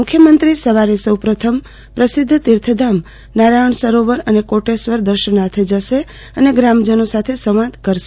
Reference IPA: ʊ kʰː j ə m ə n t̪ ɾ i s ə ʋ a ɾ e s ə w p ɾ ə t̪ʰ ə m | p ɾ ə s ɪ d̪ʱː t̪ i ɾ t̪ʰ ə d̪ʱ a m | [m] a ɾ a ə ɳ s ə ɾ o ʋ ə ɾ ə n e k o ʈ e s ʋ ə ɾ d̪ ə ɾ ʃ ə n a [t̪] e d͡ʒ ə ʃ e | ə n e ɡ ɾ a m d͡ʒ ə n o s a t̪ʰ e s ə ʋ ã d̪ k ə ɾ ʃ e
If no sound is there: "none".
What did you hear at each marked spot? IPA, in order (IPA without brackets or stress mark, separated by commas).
n, t̪ʰ